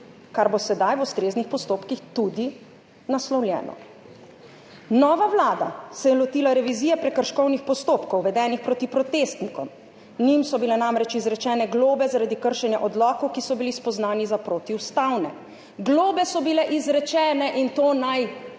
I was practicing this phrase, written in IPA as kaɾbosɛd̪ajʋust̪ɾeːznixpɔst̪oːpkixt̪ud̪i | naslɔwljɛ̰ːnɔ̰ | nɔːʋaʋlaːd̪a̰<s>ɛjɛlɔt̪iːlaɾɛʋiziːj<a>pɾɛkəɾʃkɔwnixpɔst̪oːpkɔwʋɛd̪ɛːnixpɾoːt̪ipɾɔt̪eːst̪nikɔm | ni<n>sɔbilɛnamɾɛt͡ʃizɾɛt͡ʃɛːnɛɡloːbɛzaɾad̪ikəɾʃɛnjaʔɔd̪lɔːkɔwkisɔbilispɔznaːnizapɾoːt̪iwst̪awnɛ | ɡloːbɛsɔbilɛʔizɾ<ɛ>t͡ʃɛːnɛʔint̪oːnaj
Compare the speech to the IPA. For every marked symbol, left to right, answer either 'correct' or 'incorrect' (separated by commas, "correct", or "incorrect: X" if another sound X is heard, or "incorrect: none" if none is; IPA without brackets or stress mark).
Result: correct, incorrect: ɛ, incorrect: m, correct